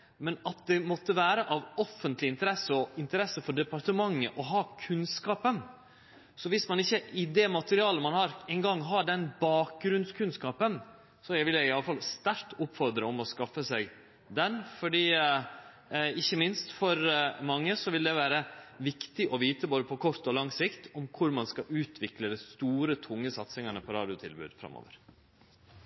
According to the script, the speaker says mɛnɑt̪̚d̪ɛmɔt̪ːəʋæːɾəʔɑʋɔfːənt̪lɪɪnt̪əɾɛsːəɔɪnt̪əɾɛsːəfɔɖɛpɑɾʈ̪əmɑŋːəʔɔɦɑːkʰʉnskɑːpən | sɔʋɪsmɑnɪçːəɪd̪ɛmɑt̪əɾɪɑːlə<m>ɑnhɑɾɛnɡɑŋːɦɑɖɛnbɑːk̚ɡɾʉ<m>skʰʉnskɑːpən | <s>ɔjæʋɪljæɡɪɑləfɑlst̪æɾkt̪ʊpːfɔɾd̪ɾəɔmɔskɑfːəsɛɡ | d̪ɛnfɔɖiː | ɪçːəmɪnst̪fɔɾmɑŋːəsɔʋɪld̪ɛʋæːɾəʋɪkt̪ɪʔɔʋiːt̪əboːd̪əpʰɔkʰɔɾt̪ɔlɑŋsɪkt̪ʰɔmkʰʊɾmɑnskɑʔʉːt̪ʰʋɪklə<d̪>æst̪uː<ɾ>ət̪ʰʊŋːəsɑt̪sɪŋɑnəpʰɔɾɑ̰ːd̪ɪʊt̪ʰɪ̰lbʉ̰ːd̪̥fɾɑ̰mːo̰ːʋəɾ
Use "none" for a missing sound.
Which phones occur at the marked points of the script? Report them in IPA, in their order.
m, n, s, d̪, ɾ

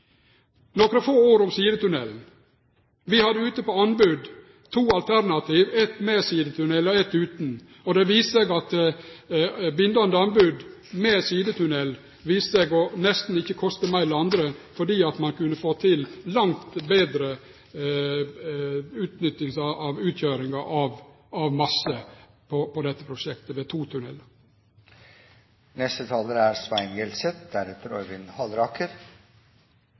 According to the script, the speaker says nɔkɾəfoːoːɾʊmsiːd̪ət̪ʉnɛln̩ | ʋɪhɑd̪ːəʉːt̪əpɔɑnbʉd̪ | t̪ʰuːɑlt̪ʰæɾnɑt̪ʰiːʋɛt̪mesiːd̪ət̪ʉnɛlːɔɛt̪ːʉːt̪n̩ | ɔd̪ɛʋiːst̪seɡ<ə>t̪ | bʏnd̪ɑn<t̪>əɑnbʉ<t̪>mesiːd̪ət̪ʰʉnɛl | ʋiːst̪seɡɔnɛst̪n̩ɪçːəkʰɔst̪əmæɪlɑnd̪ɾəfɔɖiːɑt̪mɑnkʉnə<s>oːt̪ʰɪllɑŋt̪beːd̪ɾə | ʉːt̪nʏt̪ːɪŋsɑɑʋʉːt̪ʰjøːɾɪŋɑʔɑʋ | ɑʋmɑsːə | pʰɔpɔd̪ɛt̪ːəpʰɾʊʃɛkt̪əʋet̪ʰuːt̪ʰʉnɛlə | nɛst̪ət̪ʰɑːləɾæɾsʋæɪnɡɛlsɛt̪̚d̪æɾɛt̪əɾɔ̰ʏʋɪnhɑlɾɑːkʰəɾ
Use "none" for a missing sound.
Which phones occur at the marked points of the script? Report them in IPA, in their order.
ɑ, d̪, d̪, f

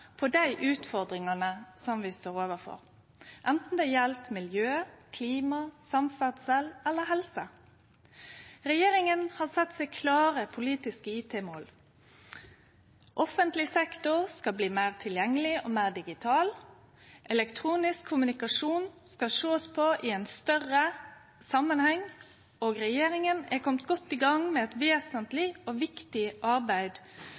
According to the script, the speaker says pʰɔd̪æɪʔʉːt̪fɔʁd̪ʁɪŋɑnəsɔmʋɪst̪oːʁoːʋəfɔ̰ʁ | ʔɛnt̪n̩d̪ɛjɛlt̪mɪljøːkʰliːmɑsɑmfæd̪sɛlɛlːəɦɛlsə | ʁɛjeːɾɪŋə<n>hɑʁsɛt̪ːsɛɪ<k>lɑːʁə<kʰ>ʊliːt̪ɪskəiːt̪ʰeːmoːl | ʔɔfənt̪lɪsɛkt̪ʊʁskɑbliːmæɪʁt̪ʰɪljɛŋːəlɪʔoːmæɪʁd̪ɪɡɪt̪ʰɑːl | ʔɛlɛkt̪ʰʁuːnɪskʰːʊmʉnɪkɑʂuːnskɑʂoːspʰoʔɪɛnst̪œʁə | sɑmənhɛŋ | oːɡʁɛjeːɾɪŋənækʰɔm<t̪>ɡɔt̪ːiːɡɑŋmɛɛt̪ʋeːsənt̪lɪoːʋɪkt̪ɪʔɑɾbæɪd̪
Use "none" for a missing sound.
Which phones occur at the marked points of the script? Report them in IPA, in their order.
n, kʰ, pʰ, t̪

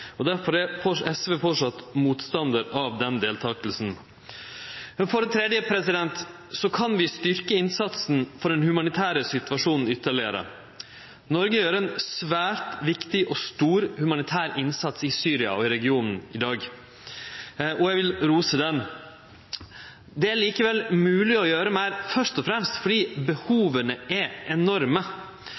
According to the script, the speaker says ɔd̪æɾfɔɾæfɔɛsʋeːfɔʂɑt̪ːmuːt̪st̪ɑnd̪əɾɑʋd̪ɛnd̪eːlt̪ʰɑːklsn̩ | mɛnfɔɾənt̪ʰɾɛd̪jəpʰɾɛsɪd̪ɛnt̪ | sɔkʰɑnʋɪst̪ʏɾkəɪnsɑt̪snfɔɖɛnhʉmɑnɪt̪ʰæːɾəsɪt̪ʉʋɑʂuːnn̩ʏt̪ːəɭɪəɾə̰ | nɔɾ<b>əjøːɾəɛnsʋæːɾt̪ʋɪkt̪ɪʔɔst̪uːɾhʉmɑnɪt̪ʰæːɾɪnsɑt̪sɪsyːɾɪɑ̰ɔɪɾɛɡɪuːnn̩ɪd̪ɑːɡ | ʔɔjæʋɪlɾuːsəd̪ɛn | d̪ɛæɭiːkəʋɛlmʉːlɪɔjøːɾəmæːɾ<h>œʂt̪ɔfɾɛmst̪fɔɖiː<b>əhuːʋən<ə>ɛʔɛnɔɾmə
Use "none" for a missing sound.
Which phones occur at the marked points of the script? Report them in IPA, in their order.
ɡ, f, b, ə

